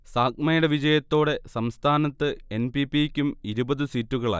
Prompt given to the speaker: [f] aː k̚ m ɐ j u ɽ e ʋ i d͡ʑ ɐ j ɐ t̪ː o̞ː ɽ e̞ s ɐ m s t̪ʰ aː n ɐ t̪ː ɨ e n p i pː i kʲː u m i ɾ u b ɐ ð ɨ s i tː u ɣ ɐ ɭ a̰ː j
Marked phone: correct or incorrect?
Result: incorrect